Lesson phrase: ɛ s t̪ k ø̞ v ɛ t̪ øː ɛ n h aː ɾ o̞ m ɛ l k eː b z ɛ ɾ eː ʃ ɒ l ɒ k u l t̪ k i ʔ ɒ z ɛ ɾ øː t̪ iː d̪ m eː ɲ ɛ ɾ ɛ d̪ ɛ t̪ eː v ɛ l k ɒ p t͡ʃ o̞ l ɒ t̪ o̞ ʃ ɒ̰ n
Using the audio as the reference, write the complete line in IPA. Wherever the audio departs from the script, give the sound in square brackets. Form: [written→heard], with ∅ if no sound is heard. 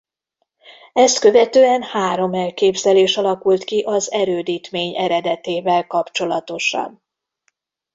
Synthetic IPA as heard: ɛ s t̪ k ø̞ v ɛ t̪ øː ɛ n h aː ɾ o̞ m ɛ l k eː b z ɛ [ɾ→l] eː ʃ ɒ l ɒ k u l t̪ k i ʔ ɒ z ɛ ɾ øː [t̪→d̪] iː [d̪→t̪] m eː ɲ ɛ ɾ ɛ d̪ ɛ t̪ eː v ɛ l k ɒ p t͡ʃ o̞ l ɒ t̪ o̞ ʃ ɒ̰ n